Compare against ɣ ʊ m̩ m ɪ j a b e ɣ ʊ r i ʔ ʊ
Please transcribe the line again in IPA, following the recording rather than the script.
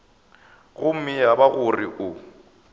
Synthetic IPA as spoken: ɣ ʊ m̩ m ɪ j a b a ɣ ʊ r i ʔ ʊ